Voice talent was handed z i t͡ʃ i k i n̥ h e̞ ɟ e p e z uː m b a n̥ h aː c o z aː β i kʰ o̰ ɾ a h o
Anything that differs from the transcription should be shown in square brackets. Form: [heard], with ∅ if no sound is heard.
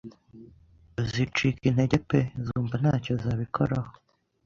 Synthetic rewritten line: z i t͡ʃ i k i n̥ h e̞ ɟ e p e z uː m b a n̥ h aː c o z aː β i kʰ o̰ ɾ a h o